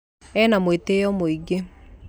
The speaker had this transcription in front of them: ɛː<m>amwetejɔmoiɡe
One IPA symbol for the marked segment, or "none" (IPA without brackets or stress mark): n